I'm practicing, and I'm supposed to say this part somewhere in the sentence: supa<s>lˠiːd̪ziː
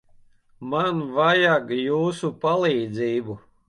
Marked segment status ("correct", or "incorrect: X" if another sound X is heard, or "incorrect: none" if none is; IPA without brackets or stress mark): incorrect: none